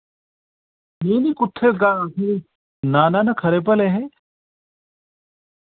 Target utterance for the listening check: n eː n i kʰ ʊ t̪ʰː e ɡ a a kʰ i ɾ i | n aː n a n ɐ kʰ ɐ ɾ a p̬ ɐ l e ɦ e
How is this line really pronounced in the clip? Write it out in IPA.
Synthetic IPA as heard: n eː n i k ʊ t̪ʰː e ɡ a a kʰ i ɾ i | n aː n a n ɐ kʰ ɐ ɾ e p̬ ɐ l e ɦ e